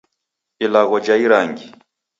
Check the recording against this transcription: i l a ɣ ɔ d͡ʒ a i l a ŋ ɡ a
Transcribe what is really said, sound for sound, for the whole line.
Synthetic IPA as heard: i l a ɣ ɔ d͡ʒ a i ɾ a ŋ ɡ i